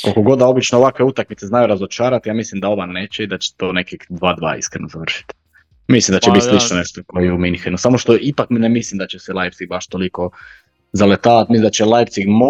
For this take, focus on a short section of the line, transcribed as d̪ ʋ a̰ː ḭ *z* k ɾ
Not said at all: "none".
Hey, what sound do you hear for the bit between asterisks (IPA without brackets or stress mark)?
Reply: s